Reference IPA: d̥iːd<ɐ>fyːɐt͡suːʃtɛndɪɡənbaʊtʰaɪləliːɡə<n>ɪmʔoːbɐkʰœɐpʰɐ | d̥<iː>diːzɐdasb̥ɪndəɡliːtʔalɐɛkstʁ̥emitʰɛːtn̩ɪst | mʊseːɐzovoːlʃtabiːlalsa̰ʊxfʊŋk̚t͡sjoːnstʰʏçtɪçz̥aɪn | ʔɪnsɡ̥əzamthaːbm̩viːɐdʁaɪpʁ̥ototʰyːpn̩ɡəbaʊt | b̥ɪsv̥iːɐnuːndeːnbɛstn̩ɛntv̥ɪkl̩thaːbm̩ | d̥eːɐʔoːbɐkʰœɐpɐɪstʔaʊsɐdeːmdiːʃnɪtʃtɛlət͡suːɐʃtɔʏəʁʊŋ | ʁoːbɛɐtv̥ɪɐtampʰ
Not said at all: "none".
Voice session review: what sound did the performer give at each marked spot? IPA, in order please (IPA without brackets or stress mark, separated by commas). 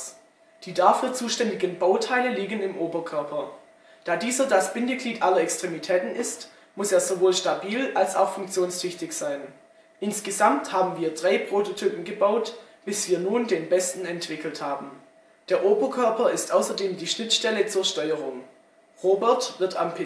a, n, aː